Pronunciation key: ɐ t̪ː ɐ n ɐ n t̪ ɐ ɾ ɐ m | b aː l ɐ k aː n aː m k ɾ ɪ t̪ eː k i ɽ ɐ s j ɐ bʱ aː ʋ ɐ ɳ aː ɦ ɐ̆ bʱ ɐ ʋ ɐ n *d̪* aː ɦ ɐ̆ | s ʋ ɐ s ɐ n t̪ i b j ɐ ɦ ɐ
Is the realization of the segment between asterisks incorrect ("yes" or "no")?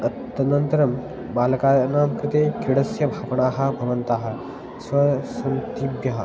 yes